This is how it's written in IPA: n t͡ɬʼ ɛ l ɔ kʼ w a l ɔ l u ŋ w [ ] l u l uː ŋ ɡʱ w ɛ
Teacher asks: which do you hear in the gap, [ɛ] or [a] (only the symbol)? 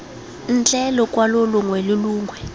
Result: ɛ